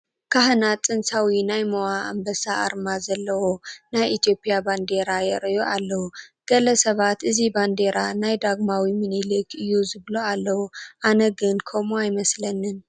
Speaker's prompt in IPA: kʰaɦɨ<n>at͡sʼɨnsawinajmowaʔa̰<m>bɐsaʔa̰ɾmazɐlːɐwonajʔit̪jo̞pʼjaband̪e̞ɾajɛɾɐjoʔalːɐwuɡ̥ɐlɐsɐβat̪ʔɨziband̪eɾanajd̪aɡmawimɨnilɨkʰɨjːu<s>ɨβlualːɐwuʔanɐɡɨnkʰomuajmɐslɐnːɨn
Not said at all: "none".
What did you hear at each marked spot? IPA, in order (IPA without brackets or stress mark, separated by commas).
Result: n, m, z